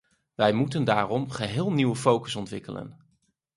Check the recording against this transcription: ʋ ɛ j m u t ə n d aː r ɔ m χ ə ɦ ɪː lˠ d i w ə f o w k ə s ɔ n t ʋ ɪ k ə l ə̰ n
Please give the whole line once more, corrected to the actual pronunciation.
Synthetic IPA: ʋ ɛ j m u t ə n d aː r ɔ m χ ə ɦ ɪː lˠ n i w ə f o w k ə s ɔ n t ʋ ɪ k ə l ə̰ n